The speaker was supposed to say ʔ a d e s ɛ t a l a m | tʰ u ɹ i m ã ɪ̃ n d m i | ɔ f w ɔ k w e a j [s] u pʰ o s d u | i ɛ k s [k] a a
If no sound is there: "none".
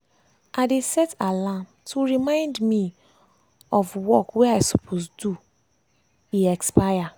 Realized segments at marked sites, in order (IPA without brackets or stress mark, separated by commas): s, p